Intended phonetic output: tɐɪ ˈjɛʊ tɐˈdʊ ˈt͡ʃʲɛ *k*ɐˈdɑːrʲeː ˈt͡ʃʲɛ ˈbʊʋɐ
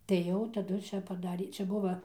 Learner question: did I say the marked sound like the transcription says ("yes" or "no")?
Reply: no